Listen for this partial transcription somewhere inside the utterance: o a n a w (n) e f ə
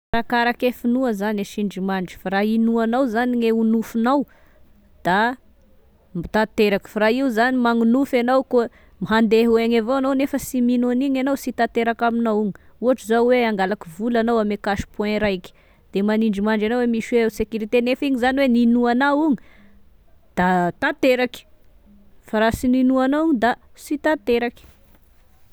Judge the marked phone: correct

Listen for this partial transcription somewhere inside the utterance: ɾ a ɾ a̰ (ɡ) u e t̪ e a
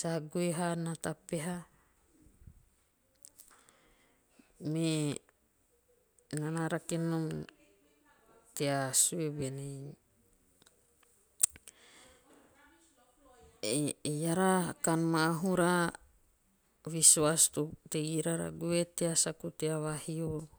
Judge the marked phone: correct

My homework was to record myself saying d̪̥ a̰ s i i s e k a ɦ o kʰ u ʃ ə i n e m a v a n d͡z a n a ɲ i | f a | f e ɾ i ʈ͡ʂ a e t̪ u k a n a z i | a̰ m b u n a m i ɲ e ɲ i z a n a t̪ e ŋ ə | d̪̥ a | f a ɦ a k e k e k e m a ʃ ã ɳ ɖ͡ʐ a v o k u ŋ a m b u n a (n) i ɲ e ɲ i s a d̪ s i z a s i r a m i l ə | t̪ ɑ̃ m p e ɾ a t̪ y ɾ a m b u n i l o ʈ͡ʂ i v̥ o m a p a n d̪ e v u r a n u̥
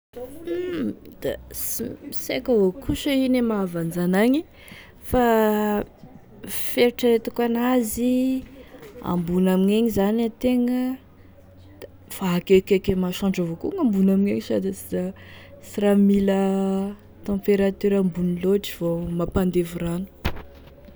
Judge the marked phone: incorrect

